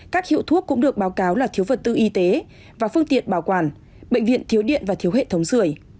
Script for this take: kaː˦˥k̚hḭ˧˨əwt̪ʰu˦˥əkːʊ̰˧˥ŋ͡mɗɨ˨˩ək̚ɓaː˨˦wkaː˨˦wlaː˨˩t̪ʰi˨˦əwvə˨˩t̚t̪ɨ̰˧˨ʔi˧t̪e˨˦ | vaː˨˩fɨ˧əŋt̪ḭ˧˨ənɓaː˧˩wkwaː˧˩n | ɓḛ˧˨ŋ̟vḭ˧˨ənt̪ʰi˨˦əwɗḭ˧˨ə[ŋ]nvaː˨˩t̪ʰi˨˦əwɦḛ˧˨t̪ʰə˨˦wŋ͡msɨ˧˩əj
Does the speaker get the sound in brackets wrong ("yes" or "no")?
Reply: yes